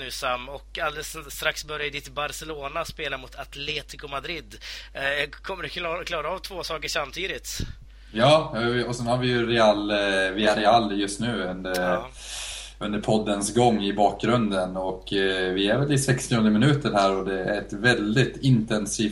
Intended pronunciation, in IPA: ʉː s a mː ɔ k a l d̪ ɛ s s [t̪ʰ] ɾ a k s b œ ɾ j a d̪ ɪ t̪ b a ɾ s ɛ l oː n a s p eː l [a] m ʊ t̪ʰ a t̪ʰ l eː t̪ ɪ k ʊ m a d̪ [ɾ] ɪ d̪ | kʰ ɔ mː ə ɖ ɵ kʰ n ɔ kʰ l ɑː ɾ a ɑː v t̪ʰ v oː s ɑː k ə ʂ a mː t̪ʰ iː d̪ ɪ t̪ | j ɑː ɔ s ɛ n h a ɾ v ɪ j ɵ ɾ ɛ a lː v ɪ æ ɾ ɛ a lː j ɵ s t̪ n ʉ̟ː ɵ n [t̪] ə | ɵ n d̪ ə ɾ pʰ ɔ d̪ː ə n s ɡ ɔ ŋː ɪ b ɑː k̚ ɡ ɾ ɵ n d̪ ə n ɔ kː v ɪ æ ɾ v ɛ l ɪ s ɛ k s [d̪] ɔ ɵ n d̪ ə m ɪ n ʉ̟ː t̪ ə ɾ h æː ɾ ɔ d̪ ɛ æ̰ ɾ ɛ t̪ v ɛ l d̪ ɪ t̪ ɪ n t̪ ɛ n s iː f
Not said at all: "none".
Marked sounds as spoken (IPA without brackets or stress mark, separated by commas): t̪, a, ɾ, d̪, t̪